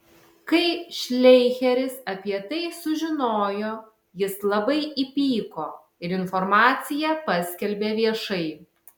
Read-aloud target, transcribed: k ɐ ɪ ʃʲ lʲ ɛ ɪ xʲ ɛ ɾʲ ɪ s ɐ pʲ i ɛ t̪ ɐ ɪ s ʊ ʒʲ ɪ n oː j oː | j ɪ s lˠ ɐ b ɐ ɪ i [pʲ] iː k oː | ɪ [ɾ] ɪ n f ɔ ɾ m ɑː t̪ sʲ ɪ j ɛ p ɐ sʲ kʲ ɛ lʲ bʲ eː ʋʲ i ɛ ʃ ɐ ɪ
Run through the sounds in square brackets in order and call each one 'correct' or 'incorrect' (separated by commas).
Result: correct, correct